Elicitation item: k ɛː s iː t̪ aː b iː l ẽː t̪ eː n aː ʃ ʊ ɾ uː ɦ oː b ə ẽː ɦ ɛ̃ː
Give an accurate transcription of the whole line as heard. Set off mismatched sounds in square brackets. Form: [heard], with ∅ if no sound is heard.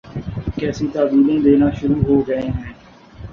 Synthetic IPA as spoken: k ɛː s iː t̪ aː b iː l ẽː [d̪] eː n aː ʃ ʊ ɾ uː ɦ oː [ɡ] ə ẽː ɦ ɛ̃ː